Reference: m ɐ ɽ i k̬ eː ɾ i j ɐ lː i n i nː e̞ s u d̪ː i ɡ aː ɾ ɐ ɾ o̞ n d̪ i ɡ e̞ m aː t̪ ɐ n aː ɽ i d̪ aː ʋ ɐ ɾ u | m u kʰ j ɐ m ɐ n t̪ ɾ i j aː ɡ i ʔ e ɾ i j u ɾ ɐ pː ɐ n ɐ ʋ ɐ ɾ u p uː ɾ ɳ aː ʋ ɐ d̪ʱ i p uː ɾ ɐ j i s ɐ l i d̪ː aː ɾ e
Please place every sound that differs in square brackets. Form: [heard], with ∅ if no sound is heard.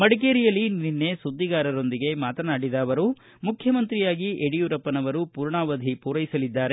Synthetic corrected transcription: m ɐ ɽ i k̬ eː ɾ i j ɐ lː i n i nː e̞ s u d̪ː i ɡ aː ɾ ɐ ɾ o̞ n d̪ i ɡ e̞ m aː t̪ ɐ n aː ɽ i d̪ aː ʋ ɐ ɾ u | m u kʰ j ɐ m ɐ n t̪ ɾ i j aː ɡ i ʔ e [ɽ] i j u ɾ ɐ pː ɐ n ɐ ʋ ɐ ɾ u p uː ɾ ɳ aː ʋ ɐ d̪ʱ i p uː ɾ ɐ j i s ɐ l i d̪ː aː ɾ e